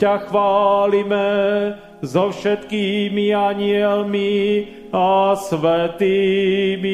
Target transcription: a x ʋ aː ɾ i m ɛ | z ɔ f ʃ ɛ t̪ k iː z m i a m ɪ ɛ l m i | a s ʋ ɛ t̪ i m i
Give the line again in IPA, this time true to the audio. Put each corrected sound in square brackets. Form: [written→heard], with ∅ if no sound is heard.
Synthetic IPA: a x ʋ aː [ɾ→l] i m ɛ | z ɔ f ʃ ɛ t̪ k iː [z→∅] m i a [m→ɲ] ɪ ɛ l m i | a s ʋ ɛ t̪ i m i